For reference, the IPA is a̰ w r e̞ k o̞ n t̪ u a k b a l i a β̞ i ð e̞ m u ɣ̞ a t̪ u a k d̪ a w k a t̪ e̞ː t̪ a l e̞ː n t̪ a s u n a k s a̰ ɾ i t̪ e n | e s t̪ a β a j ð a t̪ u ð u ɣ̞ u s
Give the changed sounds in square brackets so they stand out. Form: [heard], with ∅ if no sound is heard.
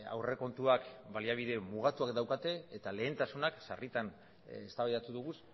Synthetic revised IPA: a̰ w r e̞ k o̞ n t̪ u a k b a l i a β̞ i ð e̞ m u ɣ̞ a t̪ u a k d̪ a w k a t̪ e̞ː t̪ a l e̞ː n t̪ a s u n a k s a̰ [r] i t̪ [a] n | e s t̪ a β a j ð a t̪ u ð u ɣ̞ u s